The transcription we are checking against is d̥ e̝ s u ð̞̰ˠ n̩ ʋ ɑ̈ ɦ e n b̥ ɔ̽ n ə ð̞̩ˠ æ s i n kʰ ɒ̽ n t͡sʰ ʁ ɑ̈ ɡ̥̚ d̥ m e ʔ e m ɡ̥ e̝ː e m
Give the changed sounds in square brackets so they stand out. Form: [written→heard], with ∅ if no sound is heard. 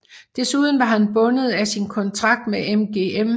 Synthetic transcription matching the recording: d̥ e̝ s u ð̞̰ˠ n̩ ʋ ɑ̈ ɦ [e→æ] n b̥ ɔ̽ n ə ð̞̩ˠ æ s i n kʰ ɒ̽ n t͡sʰ ʁ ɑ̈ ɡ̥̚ d̥ m e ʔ e m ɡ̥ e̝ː e m